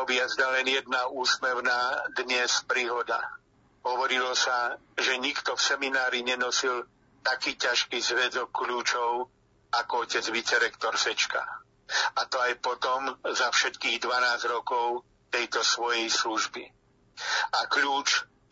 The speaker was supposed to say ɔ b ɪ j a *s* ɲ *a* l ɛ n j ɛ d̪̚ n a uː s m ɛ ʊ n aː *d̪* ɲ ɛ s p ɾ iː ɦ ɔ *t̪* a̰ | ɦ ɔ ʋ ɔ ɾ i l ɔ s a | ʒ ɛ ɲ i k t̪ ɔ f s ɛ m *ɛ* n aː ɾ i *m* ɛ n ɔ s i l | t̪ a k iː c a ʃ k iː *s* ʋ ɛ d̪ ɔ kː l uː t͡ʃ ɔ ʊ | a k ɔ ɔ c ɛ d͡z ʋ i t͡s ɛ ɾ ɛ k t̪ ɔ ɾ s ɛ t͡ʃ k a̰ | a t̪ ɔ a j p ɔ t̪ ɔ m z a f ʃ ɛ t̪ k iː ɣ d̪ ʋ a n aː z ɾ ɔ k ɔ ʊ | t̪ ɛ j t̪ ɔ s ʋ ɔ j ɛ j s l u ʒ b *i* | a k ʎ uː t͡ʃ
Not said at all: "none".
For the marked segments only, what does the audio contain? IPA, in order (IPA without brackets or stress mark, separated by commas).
z, a, d̪, d̪, i, ɲ, z, i